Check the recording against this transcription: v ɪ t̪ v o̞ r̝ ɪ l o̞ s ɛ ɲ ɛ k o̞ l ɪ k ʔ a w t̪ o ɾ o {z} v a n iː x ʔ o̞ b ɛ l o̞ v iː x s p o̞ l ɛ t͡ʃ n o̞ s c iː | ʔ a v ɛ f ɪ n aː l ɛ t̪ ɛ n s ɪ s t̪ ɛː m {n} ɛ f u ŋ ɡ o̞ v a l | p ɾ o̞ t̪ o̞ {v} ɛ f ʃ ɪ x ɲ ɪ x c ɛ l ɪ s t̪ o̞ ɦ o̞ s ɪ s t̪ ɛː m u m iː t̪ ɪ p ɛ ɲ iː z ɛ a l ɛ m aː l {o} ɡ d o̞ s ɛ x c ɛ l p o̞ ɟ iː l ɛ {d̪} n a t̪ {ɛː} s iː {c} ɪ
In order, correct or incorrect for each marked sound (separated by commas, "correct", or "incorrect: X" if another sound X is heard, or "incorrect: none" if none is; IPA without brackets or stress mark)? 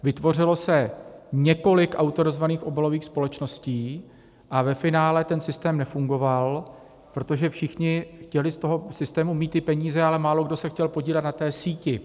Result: correct, correct, incorrect: ʒ, correct, incorrect: t̪, correct, correct